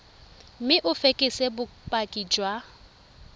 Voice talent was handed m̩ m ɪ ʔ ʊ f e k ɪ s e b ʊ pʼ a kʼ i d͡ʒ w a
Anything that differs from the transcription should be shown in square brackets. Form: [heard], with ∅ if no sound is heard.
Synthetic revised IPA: m̩ m ɪ ʔ ʊ f e [kʼ] ɪ s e b ʊ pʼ a kʼ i d͡ʒ w a